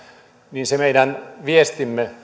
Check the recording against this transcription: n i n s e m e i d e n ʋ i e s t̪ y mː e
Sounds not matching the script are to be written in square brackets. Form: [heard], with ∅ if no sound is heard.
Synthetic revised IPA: n i n s e m e i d [æ] n ʋ i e s t̪ [i] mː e